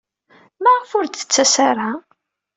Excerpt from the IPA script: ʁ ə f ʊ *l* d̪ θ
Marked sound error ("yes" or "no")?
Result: yes